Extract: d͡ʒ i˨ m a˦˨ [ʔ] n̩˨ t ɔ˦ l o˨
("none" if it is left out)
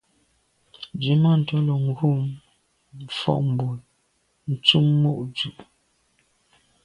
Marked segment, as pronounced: none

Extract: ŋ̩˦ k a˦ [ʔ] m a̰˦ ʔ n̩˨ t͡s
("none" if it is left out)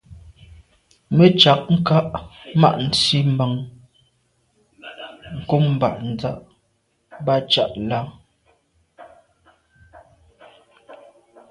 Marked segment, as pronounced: ʔ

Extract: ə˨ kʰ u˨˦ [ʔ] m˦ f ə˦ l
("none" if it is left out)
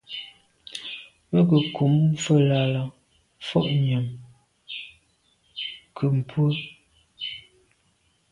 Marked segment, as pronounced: none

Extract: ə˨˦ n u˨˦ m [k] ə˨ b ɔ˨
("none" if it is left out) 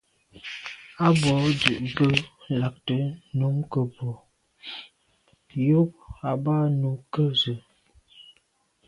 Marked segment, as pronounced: k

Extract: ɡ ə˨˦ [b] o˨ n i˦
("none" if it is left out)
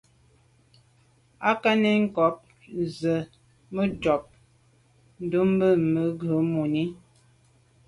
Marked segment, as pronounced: m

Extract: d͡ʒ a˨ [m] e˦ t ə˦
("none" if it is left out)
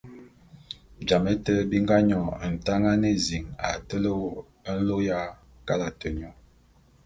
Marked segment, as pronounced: m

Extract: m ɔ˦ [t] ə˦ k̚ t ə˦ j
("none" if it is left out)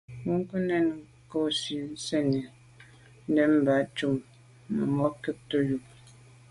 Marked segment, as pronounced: k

